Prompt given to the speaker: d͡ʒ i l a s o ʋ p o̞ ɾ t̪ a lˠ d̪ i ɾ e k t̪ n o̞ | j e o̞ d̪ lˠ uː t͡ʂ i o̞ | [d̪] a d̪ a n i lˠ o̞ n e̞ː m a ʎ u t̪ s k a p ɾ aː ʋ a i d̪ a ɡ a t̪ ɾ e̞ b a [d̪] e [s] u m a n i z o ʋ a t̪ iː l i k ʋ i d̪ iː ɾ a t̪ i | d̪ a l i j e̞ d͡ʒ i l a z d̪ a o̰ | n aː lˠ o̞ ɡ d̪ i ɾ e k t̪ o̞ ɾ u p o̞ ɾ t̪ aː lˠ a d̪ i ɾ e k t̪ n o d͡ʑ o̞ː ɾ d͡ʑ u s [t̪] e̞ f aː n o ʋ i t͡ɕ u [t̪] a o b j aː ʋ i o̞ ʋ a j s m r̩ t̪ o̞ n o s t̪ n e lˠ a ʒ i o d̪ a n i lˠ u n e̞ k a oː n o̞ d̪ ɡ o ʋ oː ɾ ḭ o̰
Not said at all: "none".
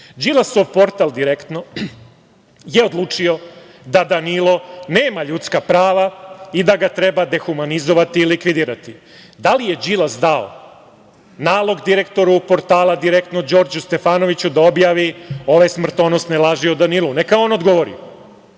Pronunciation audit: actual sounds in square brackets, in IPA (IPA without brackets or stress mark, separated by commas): d̪, d̪, x, t̪, d̪